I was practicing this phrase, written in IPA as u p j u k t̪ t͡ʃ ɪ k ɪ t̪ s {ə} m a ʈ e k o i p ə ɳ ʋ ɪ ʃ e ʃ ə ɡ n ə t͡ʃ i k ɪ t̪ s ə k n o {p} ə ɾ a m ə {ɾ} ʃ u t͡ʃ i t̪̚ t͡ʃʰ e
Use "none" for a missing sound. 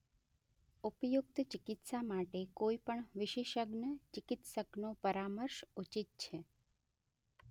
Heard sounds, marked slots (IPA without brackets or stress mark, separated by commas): a, p, ɾ